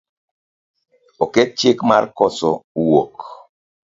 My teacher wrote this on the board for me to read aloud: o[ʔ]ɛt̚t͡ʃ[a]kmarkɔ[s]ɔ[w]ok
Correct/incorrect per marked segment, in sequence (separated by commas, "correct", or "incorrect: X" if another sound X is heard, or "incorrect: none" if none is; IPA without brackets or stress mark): incorrect: k, incorrect: e, correct, correct